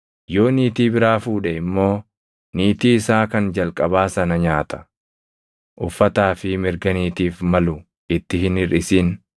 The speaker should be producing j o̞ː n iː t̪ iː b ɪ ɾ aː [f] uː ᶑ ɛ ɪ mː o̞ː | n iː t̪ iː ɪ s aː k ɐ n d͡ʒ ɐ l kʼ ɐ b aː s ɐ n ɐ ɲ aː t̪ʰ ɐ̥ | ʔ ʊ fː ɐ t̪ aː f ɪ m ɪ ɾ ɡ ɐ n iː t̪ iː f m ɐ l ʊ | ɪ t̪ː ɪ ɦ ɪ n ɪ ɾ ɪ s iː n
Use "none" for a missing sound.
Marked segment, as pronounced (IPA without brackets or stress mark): f